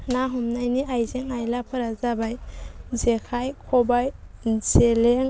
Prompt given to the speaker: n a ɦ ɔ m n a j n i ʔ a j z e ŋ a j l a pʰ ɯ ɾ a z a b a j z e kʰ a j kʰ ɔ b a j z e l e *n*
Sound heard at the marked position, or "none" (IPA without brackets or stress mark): ŋ